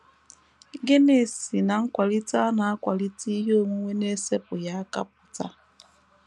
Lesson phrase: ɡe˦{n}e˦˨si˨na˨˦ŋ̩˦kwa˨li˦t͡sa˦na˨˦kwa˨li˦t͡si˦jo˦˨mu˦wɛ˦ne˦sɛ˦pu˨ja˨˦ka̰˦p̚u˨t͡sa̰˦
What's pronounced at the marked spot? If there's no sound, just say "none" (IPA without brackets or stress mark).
n